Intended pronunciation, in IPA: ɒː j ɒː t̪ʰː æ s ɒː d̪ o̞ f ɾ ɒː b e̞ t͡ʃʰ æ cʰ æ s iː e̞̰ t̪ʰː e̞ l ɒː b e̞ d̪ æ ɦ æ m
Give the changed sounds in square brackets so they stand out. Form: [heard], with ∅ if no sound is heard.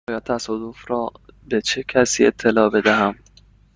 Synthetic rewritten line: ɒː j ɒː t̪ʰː æ s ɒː d̪ o̞ f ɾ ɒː b e̞ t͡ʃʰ [e] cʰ æ s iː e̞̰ t̪ʰː e̞ l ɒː b e̞ d̪ æ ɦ æ m